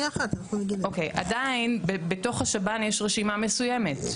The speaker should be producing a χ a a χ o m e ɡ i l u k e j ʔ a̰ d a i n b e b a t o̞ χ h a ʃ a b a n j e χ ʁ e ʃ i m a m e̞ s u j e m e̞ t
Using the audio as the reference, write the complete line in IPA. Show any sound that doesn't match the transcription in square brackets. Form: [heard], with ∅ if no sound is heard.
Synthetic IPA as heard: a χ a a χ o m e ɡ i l [o] k e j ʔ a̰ d a i n b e b [e] t o̞ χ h a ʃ a b a n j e [ʃ] ʁ e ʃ i m a m e̞ s u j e m e̞ t